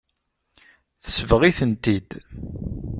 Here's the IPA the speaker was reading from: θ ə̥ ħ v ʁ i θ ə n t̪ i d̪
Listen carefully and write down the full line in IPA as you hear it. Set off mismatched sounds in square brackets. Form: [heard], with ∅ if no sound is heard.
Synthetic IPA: θ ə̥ [s] v ʁ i θ ə n t̪ i d̪